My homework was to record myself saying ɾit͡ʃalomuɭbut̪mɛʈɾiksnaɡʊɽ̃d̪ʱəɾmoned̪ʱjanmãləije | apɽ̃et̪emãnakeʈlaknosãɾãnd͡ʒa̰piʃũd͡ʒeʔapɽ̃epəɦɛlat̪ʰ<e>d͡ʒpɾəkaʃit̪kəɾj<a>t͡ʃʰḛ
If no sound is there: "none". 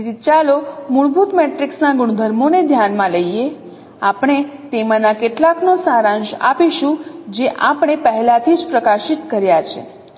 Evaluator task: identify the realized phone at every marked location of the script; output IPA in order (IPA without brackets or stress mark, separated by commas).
i, a